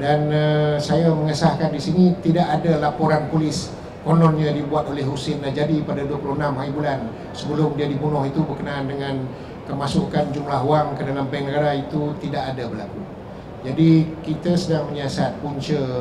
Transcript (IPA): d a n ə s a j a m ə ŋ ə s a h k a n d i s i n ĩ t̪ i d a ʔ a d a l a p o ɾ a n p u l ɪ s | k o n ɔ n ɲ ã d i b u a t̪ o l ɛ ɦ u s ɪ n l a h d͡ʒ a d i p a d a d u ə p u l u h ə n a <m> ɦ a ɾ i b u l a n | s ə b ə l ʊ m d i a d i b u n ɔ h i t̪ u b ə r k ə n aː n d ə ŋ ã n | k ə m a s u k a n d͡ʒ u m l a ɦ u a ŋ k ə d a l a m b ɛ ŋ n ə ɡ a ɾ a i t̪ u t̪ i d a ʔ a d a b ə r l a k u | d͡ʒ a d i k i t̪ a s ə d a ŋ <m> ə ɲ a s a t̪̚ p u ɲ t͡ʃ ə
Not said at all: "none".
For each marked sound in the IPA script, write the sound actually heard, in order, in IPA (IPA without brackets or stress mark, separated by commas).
m, m